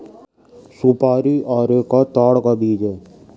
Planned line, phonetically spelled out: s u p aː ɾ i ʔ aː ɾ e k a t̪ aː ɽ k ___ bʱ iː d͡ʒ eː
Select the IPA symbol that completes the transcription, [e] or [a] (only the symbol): a